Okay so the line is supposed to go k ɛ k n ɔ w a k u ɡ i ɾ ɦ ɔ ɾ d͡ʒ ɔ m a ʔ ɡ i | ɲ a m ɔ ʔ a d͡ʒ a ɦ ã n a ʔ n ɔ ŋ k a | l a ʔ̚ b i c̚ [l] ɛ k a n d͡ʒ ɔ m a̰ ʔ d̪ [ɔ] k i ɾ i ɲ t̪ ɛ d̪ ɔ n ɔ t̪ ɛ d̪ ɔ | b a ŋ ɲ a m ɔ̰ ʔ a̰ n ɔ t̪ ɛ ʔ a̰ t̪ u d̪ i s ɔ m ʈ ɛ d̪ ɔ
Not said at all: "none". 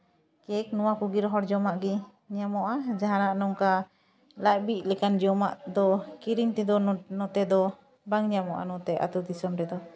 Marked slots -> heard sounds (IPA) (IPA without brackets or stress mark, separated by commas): l, ɔ